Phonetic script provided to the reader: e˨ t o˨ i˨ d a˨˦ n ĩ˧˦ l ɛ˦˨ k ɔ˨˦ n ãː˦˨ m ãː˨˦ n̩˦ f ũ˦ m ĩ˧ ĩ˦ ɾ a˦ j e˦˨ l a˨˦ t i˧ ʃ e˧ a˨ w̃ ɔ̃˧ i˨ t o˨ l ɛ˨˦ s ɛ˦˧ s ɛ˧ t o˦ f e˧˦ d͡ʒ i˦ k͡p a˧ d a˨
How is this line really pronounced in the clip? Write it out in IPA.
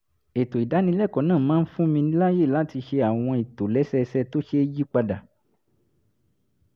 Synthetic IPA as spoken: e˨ t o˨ i˨ d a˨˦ n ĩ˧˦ l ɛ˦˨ k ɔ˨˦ n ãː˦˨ m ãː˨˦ n̩˦ f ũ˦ m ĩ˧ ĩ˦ l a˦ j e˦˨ l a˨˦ t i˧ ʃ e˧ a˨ w̃ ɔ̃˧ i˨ t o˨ l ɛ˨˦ s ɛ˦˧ s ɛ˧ t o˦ ʃ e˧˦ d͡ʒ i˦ k͡p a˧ d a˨